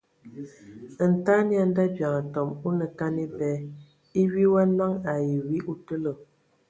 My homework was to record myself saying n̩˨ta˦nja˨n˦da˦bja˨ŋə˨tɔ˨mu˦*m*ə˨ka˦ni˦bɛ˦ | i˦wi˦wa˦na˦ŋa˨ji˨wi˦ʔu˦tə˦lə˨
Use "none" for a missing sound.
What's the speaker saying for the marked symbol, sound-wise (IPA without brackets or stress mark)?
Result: n